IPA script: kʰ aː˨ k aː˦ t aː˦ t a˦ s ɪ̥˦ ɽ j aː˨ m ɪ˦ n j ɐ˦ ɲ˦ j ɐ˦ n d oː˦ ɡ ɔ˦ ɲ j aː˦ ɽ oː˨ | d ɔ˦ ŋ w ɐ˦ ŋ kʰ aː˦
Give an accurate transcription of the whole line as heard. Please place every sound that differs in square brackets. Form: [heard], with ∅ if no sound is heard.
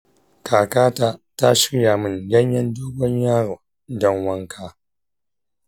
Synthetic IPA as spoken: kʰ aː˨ k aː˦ t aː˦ t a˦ [ʃ] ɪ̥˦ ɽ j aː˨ m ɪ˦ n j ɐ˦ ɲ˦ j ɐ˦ n d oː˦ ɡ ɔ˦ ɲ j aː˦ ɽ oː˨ | d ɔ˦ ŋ w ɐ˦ ŋ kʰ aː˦